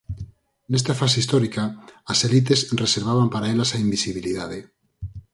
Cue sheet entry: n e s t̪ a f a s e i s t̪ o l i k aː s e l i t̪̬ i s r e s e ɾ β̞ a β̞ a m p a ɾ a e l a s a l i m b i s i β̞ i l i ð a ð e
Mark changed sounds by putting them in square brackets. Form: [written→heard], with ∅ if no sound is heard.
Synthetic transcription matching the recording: n e s t̪ a f a s e i s t̪ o [l→ɾ] i k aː s e l i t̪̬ [i→e] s r e s e ɾ β̞ a β̞ a m p a ɾ a e l a s a [l→∅] i m b i s i β̞ i l i ð a ð e